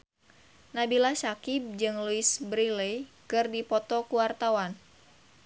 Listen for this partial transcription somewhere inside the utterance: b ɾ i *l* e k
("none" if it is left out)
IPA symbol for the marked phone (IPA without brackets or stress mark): l